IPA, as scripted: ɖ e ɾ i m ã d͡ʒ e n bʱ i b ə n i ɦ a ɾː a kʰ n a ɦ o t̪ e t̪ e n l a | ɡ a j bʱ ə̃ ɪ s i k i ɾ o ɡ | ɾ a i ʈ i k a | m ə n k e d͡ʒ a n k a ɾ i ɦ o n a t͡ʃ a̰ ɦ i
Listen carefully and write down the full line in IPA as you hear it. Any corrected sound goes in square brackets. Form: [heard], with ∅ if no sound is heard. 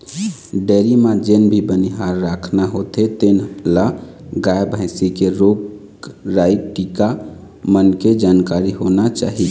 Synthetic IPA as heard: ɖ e ɾ i m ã d͡ʒ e n bʱ i b ə n i ɦ a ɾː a kʰ n a ɦ o t̪ e t̪ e n l a | ɡ a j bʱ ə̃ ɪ s i k [e] ɾ o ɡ | ɾ a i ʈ i k a | m ə n k e d͡ʒ a n k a ɾ i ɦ o n a t͡ʃ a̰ ɦ i